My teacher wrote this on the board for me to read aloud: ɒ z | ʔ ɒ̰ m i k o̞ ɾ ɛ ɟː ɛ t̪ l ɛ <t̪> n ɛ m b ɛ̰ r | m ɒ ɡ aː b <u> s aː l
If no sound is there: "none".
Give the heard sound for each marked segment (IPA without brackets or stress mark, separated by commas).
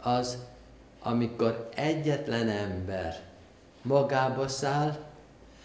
none, ɒ